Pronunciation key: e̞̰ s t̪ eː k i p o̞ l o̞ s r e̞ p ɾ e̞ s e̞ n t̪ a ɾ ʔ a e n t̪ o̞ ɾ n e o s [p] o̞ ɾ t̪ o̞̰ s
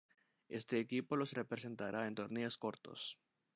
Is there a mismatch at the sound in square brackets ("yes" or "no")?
yes